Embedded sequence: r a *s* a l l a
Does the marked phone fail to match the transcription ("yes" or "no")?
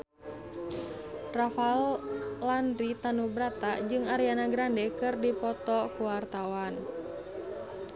yes